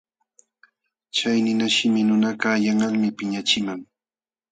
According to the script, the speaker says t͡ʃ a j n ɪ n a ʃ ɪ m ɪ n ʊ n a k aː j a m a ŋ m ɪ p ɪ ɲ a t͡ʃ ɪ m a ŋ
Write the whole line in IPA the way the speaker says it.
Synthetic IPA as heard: t͡ʃ a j n ɪ n a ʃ ɪ m ɪ n ʊ n a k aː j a ŋ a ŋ m ɪ p ɪ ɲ a t͡ʃ ɪ m a ŋ